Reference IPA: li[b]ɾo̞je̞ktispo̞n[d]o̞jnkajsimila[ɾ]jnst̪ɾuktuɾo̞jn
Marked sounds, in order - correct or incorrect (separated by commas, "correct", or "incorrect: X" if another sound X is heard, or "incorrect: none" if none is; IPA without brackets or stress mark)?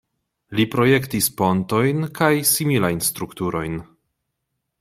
incorrect: p, incorrect: t, incorrect: none